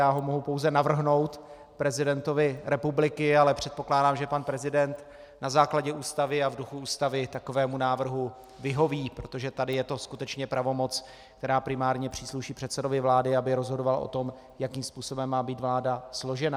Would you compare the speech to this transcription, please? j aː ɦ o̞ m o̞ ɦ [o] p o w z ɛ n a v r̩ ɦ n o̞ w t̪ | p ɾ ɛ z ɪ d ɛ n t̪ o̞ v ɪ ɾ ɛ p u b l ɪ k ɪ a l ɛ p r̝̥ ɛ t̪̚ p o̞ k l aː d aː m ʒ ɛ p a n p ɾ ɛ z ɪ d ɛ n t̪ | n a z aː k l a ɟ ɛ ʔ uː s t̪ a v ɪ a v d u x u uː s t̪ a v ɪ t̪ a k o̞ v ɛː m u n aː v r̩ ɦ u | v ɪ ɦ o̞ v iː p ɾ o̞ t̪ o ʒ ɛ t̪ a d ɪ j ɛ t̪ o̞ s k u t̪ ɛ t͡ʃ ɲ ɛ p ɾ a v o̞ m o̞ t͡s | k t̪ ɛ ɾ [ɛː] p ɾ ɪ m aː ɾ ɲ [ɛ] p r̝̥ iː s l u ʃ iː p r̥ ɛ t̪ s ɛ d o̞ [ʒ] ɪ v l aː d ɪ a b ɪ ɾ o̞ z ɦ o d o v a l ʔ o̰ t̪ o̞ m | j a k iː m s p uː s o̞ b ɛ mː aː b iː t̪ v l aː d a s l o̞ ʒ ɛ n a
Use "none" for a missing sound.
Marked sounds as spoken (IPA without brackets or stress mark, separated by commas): u, aː, ɛ, v